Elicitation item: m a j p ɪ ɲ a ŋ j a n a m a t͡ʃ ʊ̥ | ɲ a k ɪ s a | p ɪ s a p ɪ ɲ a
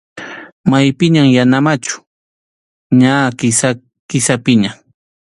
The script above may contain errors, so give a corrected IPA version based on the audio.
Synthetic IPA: m a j p ɪ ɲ a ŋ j a n a m a t͡ʃ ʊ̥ | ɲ a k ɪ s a | k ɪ s a p ɪ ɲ a